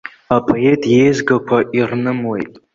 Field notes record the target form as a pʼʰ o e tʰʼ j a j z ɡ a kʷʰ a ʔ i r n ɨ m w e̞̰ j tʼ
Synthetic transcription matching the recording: a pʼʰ o e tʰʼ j e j z ɡ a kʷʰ a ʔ i r n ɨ m w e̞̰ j tʼ